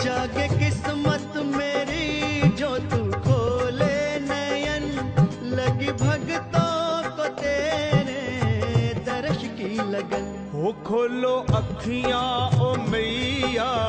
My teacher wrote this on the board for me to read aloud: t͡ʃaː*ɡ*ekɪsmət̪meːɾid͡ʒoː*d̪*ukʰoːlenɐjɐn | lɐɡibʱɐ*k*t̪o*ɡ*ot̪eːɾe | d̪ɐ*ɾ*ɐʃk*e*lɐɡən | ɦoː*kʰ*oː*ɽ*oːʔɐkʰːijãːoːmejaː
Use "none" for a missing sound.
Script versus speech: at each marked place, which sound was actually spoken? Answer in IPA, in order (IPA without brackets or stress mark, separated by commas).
ɡ, t̪, ɡ, k, ɾ, i, kʰ, l